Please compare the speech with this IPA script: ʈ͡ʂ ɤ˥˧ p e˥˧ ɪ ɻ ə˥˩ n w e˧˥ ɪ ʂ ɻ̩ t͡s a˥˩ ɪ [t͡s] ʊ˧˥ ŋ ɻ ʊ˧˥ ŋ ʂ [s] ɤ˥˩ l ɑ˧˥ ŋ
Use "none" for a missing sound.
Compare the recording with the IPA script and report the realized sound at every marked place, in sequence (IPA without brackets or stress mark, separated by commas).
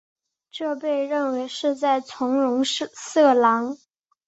t͡sʰ, s